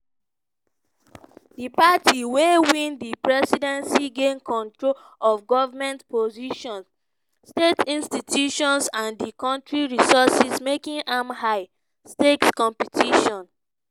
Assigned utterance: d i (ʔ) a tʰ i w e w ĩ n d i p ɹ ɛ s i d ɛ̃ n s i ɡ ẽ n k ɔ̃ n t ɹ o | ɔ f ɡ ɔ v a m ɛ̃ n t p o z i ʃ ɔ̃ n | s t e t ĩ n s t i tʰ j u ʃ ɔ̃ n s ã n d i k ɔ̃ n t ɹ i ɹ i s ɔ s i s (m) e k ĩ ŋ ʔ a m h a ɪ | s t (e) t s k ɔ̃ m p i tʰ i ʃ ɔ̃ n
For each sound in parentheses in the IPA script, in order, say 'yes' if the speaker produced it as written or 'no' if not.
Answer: no, yes, yes

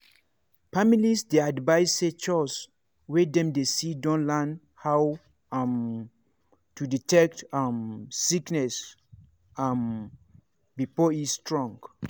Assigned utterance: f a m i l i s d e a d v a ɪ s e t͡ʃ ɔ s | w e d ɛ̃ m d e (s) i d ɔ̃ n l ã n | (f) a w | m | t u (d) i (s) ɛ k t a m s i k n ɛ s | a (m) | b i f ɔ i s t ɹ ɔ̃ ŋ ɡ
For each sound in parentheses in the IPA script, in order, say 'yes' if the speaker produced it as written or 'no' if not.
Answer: yes, no, yes, no, yes

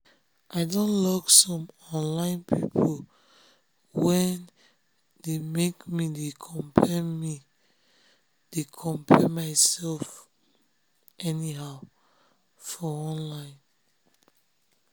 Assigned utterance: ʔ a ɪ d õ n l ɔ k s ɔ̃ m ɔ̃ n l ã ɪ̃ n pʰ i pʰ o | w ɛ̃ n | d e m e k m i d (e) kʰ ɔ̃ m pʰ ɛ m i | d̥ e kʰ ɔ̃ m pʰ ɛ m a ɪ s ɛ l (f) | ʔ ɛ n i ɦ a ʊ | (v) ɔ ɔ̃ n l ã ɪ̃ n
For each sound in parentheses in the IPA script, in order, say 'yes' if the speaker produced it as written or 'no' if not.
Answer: yes, yes, no

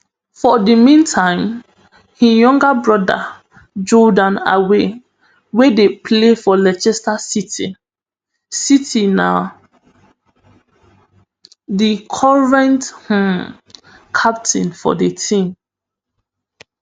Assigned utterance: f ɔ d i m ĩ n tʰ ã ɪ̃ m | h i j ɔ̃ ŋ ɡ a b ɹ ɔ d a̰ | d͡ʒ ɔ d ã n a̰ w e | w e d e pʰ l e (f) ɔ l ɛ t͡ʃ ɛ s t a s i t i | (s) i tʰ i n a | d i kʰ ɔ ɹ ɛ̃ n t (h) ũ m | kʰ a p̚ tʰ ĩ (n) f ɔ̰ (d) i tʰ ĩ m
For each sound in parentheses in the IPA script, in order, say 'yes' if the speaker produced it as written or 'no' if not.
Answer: yes, yes, yes, yes, yes

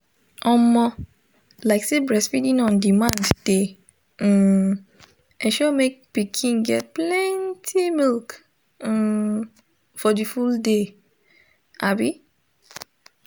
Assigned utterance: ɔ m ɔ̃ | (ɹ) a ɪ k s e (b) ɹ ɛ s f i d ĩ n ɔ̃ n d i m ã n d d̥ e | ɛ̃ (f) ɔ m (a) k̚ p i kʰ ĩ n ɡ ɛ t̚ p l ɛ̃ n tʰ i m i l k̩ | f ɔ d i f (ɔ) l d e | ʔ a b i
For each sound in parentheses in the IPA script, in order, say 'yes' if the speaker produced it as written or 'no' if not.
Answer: no, yes, no, no, no

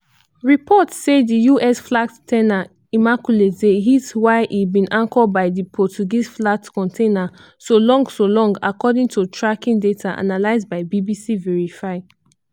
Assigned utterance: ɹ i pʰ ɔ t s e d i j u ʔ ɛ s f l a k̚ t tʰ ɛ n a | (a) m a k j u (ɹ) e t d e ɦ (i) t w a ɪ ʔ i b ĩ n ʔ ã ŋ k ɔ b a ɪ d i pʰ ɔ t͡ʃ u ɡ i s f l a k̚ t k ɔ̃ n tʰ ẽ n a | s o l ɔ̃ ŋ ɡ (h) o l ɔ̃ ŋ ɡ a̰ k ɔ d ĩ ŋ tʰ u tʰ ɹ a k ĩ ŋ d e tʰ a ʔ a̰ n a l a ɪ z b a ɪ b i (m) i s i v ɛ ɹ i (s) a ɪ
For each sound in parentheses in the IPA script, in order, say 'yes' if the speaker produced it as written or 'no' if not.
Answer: no, no, yes, no, no, no

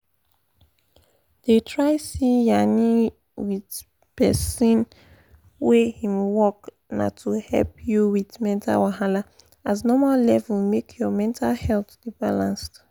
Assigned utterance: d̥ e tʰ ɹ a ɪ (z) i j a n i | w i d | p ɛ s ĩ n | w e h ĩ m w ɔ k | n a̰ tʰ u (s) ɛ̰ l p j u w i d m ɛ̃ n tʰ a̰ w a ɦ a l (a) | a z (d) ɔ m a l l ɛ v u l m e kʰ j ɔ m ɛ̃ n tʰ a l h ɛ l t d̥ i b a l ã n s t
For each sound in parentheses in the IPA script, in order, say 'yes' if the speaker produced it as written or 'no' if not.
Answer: no, no, yes, no

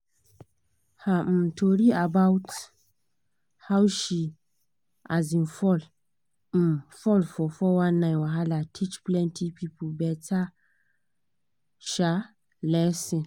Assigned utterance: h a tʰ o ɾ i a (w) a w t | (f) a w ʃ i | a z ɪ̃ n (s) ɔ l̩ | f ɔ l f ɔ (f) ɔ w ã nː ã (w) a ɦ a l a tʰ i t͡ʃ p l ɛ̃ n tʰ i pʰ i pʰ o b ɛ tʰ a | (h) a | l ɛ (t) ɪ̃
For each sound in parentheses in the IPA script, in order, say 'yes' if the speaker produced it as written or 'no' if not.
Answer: no, no, no, yes, yes, no, no

